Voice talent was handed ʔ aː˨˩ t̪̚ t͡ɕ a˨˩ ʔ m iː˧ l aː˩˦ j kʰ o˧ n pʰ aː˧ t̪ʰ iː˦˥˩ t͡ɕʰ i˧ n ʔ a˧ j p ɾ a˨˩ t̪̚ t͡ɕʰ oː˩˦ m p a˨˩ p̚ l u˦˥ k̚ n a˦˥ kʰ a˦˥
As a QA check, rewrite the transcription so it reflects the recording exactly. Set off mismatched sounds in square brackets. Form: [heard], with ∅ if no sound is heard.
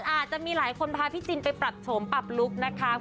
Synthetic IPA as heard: ʔ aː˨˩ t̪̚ t͡ɕ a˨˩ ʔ m iː˧ l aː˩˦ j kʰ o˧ n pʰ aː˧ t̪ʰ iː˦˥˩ [t͡ɕ] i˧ n [p] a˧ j p ɾ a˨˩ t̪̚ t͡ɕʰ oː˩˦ m p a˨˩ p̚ l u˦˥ k̚ n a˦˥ kʰ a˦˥